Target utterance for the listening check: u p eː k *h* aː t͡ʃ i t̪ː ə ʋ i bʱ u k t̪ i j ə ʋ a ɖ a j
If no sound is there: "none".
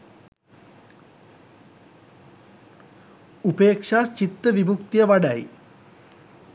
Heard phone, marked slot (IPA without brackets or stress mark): ʂ